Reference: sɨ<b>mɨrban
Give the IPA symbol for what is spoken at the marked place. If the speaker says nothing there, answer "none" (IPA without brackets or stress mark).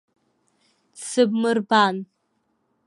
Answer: b